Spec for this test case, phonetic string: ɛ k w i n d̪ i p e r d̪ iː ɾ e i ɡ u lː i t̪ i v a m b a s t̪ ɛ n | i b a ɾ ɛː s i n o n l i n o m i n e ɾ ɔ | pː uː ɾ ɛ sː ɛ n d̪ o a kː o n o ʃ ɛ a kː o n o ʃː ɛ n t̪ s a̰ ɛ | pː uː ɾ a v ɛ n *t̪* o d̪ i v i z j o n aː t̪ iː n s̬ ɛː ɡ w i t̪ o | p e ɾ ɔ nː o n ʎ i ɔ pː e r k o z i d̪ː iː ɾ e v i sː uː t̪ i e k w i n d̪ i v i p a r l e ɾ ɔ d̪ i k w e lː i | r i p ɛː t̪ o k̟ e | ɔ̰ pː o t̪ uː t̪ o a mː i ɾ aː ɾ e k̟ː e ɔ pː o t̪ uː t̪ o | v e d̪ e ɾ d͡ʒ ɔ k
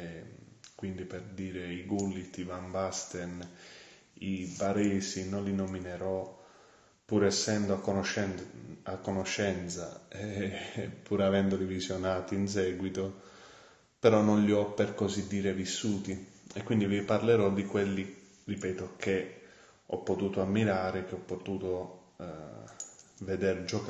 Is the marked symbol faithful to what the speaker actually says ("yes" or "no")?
no